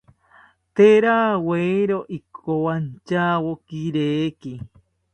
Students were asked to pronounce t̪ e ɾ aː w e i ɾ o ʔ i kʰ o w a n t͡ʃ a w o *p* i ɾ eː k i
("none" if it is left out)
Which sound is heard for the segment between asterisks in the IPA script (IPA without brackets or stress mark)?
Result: k